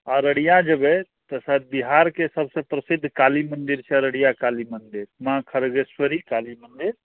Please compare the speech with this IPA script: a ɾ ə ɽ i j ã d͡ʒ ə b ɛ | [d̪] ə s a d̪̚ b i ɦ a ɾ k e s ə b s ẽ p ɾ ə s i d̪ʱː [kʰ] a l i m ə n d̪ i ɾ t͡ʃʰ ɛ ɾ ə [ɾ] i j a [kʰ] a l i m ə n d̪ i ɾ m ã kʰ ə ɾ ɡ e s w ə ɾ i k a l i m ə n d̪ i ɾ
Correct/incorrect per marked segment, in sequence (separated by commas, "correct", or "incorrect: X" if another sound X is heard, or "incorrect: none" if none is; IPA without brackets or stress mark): incorrect: t̪, incorrect: k, incorrect: ɽ, incorrect: k